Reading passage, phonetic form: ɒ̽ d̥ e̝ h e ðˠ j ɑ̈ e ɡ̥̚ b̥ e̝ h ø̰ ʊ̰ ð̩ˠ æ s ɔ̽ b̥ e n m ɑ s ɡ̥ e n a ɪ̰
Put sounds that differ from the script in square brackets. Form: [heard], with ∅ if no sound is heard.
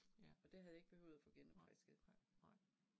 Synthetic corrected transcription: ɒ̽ d̥ e̝ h [æ] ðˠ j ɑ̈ e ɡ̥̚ b̥ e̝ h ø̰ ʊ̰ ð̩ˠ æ [f] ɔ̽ [ɡ̥] e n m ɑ s ɡ̥ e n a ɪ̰